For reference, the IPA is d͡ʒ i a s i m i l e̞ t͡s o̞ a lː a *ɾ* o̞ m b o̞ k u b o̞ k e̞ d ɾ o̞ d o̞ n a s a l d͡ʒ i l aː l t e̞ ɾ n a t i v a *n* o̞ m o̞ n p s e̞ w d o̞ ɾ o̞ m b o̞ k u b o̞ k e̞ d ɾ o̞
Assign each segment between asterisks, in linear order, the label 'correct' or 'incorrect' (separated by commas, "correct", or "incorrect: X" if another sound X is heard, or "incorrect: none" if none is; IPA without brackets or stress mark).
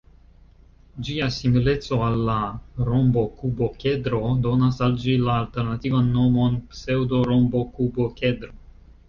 correct, incorrect: nː